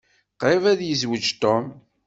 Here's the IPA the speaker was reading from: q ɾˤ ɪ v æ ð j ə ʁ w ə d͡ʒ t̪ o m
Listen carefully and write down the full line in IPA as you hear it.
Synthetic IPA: q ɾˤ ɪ v æ ð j ə z w ə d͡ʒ t̪ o m